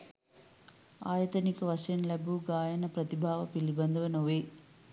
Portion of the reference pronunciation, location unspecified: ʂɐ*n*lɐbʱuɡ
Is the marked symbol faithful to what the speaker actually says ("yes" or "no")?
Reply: yes